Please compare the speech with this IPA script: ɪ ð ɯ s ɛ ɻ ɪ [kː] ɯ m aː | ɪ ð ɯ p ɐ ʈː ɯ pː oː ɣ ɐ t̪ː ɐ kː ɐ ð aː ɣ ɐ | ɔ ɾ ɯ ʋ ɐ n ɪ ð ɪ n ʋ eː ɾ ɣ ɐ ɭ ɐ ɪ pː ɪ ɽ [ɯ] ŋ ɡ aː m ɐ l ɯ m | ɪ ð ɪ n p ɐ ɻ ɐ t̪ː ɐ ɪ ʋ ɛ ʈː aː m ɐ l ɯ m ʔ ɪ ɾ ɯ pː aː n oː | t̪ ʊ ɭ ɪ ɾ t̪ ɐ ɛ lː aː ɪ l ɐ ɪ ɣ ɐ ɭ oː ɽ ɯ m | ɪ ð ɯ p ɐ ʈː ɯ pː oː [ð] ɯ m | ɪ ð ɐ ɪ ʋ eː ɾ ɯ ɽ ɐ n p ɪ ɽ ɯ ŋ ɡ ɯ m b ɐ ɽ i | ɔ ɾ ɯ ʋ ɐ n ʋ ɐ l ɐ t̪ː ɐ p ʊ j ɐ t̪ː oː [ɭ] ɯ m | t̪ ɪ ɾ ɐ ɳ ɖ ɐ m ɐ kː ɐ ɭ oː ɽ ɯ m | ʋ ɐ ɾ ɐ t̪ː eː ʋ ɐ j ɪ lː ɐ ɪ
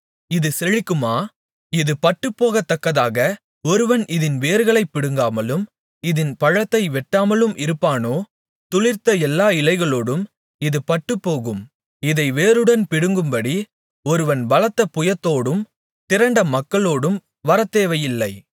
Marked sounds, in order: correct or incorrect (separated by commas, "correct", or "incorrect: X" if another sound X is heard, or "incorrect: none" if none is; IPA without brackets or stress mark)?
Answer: correct, correct, incorrect: ɣ, incorrect: ɽ